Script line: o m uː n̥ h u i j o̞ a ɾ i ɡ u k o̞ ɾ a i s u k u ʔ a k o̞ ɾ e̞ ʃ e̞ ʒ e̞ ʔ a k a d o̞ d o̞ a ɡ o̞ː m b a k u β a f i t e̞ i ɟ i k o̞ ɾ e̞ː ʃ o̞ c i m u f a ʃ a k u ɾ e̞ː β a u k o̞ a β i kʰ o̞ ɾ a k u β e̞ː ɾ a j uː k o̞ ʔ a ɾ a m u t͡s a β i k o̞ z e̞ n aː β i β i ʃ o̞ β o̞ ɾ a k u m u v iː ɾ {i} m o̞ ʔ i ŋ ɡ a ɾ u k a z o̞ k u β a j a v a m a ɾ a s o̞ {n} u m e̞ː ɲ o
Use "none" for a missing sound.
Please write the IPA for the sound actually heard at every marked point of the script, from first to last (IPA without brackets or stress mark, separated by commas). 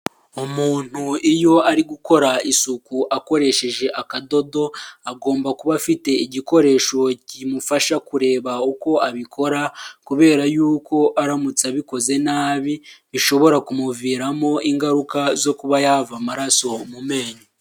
a, m